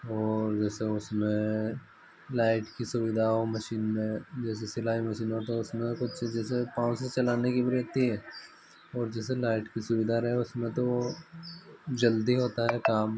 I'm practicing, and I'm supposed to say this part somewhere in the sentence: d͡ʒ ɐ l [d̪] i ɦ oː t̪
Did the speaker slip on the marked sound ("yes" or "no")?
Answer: no